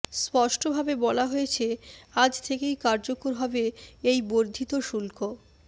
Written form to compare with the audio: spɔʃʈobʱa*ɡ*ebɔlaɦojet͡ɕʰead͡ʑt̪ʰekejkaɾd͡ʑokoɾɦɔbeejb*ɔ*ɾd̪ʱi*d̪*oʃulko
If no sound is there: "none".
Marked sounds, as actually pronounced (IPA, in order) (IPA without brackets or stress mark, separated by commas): b, o, t̪